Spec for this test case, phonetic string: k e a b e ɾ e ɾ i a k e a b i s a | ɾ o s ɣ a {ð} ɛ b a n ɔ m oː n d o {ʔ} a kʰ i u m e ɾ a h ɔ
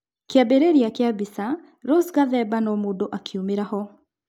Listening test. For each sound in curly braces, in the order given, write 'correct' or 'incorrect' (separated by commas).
correct, correct